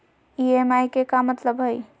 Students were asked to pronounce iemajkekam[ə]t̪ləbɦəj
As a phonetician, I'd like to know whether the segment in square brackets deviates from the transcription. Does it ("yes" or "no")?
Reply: no